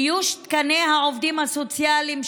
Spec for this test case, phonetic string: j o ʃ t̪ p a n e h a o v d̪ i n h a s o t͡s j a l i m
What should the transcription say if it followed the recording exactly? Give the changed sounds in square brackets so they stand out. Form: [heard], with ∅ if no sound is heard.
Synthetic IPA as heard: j [u] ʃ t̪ [k] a n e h a o v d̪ i [m] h a s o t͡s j a l i m